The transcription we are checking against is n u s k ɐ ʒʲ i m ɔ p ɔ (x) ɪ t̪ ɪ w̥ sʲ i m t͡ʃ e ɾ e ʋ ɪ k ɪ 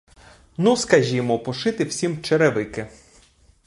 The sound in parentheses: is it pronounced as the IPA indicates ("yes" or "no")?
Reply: no